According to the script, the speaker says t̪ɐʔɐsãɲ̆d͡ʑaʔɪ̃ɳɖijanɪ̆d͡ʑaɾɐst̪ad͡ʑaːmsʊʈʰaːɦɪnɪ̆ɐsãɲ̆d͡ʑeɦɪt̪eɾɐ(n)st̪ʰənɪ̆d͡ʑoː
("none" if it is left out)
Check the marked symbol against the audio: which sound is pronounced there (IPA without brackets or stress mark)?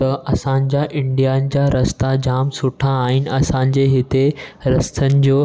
none